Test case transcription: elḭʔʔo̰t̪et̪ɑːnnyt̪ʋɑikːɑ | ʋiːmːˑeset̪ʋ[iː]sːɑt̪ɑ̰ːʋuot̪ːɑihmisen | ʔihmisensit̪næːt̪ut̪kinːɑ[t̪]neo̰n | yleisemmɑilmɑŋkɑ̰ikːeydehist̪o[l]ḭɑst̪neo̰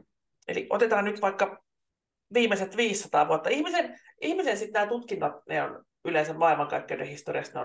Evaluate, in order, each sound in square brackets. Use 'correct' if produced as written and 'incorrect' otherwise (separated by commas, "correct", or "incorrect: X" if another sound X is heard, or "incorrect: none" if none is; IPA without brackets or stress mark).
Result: correct, correct, incorrect: r